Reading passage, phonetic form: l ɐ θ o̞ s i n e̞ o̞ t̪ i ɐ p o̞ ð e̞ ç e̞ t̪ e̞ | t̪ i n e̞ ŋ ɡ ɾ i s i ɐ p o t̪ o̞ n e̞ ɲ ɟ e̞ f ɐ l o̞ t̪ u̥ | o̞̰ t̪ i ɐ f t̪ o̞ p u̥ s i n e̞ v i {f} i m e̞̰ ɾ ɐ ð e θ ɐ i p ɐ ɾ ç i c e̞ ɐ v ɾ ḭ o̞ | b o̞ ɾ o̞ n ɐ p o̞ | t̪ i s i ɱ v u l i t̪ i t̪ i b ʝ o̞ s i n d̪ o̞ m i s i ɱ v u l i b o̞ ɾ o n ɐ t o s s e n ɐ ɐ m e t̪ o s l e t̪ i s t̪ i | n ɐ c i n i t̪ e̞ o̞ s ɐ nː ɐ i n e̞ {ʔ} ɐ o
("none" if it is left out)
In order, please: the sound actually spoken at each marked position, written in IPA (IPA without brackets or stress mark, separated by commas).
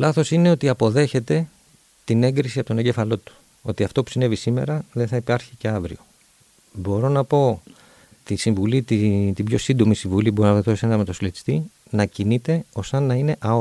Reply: s, ʔ